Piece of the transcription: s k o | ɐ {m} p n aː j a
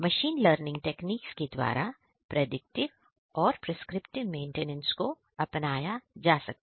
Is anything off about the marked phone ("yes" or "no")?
yes